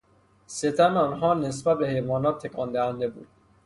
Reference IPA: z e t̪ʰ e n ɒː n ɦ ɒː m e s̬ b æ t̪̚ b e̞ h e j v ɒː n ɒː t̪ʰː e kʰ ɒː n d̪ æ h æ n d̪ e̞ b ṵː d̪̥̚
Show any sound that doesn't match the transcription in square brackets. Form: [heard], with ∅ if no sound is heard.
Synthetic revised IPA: [s] e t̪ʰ [æ] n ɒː n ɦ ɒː [n] e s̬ b æ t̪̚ b e̞ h e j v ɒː n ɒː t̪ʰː e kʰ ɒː n d̪ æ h æ n d̪ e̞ b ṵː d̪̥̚